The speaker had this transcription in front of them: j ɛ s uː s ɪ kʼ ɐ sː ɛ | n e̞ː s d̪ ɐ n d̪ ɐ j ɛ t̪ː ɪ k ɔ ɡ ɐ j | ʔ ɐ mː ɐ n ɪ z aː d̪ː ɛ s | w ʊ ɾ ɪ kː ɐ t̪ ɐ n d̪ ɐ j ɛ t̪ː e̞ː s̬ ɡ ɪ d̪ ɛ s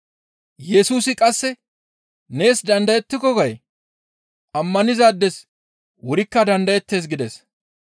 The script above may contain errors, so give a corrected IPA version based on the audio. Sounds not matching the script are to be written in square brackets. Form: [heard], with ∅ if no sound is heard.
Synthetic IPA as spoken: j ɛ s uː s ɪ kʼ ɐ sː ɛ | n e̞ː s d̪ ɐ n d̪ ɐ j ɛ t̪ː ɪ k ɔ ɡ ɐ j | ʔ ɐ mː ɐ n ɪ z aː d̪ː ɛ s | w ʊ ɾ ɪ kː ɐ [d̪] ɐ n d̪ ɐ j ɛ t̪ː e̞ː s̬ ɡ ɪ d̪ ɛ s